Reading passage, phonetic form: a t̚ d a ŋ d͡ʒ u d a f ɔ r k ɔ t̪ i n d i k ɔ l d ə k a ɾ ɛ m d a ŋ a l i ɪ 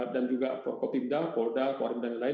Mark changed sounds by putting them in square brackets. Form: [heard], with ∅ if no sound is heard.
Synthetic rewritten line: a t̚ d a [n] d͡ʒ u [ɡ] a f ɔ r k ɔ t̪ i n d [a] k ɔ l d [a] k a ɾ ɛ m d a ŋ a l [a] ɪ